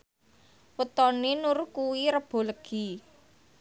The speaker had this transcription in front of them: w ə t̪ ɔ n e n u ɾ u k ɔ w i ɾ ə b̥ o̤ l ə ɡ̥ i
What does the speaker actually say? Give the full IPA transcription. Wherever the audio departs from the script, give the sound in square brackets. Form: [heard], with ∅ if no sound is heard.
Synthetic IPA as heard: w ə t̪ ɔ n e n u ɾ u k [u] w i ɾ ə b̥ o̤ l ə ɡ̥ i